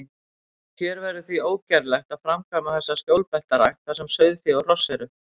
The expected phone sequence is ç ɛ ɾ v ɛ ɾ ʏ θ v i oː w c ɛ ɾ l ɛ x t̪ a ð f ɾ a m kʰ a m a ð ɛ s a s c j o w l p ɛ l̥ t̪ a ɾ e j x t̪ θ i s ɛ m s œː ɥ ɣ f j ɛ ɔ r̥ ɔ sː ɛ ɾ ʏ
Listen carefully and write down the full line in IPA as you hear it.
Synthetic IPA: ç ɛ ɾ v ɛ ɾ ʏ θ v i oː w c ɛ ɾ l ɛ x t̪ a ð f ɾ a m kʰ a m a θ ɛ sː a s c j o w l p ɛ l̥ t̪ a ɾ a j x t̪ θ a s ɛ m s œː ɥ ð f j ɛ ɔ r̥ ɔ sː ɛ ɾ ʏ